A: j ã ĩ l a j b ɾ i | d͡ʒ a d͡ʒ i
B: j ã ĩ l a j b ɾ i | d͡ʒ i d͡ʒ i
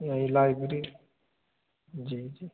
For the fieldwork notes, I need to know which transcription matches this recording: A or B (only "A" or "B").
B